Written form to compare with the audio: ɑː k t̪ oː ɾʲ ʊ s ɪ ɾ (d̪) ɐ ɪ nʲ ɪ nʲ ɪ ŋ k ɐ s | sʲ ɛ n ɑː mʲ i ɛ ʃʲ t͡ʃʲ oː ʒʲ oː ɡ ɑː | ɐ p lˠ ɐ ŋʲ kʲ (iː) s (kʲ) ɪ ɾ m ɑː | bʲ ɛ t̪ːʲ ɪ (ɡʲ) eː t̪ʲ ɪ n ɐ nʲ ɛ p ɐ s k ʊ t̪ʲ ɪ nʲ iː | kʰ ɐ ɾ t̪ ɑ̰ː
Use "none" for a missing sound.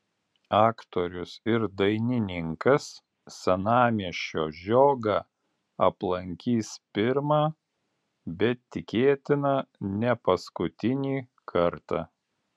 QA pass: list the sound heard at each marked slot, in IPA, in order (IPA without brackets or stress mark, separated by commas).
d̪, iː, pʲ, kʲ